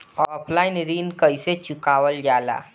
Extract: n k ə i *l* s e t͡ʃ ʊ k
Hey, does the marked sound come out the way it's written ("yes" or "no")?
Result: no